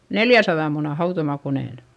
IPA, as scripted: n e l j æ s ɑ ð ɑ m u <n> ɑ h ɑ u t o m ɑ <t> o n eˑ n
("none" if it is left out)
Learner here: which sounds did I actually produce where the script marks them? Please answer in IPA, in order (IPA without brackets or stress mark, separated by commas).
n, k